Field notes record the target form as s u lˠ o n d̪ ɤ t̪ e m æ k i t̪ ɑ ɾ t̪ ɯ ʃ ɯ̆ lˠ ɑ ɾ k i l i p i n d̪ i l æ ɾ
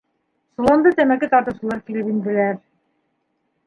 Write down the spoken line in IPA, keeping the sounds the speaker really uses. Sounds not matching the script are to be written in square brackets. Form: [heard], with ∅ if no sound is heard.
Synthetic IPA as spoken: s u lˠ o n d̪ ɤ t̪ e m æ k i t̪ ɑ ɾ t̪ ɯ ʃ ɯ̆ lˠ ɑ ɾ k i l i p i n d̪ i l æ ɾ